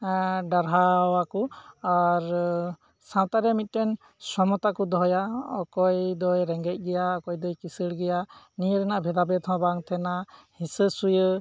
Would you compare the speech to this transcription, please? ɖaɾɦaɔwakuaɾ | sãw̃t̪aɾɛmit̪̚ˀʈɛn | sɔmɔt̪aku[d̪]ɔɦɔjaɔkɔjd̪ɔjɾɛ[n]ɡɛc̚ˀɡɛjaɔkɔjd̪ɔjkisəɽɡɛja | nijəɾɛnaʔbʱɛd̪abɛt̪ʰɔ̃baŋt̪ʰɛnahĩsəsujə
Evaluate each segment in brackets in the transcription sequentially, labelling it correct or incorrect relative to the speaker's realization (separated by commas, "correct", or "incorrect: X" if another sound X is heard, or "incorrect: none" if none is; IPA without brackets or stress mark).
correct, incorrect: ŋ